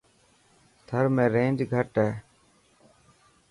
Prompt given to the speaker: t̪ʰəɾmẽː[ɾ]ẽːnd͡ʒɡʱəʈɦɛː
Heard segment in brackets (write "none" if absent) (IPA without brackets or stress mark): ɾ